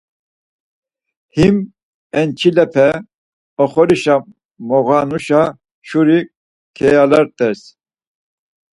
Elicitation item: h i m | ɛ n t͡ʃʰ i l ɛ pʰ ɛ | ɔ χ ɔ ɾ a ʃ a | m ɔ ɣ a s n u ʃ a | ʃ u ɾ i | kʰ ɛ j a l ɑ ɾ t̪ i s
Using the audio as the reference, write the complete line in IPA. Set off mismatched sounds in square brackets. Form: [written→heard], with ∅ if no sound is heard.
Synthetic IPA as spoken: h i m | ɛ n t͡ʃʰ i l ɛ pʰ ɛ | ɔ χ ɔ ɾ [a→i] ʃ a | m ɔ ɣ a [s→∅] n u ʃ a | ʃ u ɾ i | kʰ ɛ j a l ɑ ɾ t̪ [i→ɛ] s